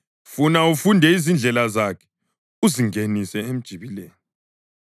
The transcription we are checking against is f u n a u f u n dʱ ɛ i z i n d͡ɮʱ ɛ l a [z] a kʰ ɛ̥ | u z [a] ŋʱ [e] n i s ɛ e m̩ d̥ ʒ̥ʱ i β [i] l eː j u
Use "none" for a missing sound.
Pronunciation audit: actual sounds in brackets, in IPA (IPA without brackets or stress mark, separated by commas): z, i, e, i